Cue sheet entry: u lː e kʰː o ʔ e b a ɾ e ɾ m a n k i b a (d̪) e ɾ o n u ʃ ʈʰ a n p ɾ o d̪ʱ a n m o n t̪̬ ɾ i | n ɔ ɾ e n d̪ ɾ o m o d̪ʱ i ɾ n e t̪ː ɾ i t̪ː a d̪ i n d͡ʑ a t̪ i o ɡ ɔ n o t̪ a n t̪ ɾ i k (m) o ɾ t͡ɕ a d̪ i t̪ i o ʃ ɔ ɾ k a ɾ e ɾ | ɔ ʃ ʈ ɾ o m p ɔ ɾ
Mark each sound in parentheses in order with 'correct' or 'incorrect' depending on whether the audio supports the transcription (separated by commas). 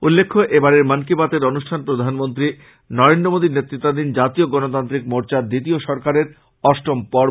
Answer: incorrect, correct